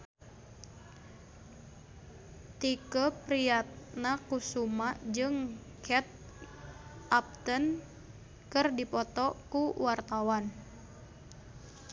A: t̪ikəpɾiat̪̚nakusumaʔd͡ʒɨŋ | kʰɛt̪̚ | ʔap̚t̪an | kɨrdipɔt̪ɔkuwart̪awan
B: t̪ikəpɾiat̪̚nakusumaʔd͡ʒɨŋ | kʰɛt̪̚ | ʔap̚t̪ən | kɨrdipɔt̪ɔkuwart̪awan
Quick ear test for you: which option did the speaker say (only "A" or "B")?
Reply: B